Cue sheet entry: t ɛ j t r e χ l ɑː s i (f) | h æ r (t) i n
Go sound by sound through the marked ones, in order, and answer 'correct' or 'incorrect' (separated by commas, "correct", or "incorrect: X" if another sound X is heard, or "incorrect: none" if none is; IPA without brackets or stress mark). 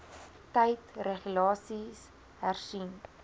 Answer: incorrect: s, incorrect: s